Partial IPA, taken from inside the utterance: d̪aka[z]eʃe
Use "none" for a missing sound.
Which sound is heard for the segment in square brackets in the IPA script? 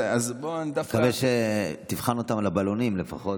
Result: v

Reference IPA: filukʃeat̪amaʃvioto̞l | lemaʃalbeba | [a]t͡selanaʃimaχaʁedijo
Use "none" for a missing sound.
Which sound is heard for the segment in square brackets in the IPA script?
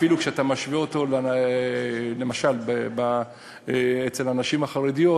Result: e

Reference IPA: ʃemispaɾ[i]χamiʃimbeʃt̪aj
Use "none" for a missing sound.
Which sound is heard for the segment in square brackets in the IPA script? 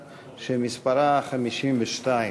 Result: a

